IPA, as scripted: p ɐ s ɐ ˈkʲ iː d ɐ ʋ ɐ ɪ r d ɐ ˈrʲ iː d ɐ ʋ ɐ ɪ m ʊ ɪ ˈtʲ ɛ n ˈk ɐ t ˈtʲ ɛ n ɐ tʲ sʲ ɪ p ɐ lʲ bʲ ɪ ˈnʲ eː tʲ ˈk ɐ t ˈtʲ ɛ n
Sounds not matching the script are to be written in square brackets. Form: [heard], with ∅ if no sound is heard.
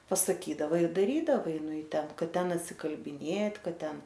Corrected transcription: p ɐ s ɐ ˈkʲ iː d ɐ ʋ ɐ ɪ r d ɐ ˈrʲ iː d ɐ ʋ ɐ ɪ [n] ʊ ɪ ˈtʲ ɛ n ˈk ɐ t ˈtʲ ɛ n ɐ tʲ sʲ ɪ [k] ɐ lʲ bʲ ɪ ˈnʲ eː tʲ ˈk ɐ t ˈtʲ ɛ n